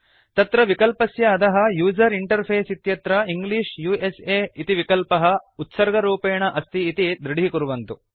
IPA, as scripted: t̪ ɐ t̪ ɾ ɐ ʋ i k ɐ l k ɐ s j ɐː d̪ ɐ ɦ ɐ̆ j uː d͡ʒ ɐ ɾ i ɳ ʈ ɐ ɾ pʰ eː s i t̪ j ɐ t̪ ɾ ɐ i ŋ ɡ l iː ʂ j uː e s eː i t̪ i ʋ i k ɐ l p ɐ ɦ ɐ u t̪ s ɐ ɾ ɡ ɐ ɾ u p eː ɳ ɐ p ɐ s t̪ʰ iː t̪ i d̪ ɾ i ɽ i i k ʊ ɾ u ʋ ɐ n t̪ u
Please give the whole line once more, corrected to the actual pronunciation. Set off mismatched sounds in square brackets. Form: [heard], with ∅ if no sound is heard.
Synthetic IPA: t̪ ɐ t̪ ɾ ɐ ʋ i k ɐ l [p] ɐ s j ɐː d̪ ɐ ɦ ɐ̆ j uː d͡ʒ ɐ ɾ i ɳ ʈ ɐ ɾ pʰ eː s i t̪ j ɐ t̪ ɾ ɐ i ŋ ɡ l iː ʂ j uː e s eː i t̪ i ʋ i k ɐ l p ɐ ɦ ɐ u t̪ s ɐ ɾ ɡ ɐ ɾ [uː] p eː ɳ ɐ [ʔ] ɐ s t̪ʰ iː t̪ i d̪ ɾ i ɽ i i k [u] ɾ u ʋ ɐ n t̪ u